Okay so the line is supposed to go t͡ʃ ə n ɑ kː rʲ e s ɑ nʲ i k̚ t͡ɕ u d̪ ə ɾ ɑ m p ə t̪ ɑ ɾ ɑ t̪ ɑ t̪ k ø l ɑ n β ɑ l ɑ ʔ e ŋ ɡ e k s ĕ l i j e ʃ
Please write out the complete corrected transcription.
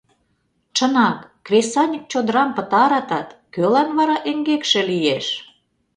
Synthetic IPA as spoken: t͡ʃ ə n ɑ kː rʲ e s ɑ nʲ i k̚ t͡ɕ o d̪ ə ɾ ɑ m p ə t̪ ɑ ɾ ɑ t̪ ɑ t̪ k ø l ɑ n β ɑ ɾ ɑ ʔ e ŋ ɡ e k ʃ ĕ l i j e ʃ